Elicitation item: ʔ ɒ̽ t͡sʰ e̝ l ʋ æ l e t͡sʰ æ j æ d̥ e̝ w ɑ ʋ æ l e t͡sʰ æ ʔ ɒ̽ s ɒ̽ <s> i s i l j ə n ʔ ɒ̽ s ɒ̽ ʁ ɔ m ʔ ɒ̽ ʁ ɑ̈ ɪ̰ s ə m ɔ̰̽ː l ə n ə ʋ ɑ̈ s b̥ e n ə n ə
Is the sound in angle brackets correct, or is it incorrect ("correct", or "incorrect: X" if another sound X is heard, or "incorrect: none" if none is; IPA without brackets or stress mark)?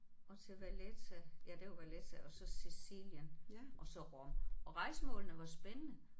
correct